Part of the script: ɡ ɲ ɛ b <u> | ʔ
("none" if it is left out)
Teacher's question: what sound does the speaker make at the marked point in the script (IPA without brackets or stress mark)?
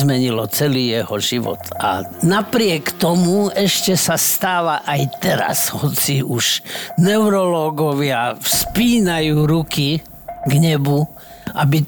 u